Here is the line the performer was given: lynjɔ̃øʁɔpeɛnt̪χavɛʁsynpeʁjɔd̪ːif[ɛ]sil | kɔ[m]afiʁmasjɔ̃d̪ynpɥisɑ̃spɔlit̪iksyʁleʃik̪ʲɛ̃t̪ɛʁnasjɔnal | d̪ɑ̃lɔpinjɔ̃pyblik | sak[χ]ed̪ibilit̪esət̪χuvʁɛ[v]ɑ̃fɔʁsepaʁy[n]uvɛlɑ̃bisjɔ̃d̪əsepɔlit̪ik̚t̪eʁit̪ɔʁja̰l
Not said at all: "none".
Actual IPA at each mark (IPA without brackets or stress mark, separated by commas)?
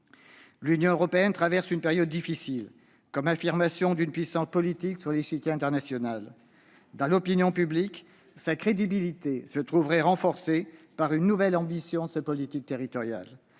i, m, χ, ʁ, nː